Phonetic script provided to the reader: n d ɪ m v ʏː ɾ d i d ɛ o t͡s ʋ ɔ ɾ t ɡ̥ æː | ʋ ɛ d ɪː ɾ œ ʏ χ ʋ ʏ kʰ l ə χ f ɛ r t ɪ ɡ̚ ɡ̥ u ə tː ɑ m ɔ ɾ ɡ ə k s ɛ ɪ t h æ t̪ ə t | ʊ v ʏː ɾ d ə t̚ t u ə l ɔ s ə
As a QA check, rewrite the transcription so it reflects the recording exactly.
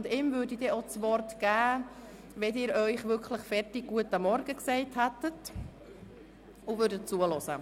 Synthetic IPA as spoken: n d ɪ m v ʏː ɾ d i d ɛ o t͡s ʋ ɔ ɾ t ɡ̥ æː | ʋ ɛ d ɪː ɾ œ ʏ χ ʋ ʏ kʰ l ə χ f ɛ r t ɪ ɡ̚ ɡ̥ u ə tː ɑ m ɔ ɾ ɡ ə k s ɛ ɪ t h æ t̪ ə t | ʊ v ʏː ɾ d ə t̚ t͡s u ə l ɔ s ə